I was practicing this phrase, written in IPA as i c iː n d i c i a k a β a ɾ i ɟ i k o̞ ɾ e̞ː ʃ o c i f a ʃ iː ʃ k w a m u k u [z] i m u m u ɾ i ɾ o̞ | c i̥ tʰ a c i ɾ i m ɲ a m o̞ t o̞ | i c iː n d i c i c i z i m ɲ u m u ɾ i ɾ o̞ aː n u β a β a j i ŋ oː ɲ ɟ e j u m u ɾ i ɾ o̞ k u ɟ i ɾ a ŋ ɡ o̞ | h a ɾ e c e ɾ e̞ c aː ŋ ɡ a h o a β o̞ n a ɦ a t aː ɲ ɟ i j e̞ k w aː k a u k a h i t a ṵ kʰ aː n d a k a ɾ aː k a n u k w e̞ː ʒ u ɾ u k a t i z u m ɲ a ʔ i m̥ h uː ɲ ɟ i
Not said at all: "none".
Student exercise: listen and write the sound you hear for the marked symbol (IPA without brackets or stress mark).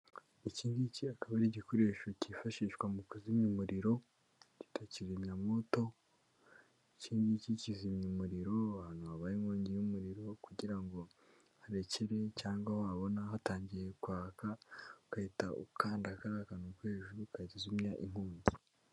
z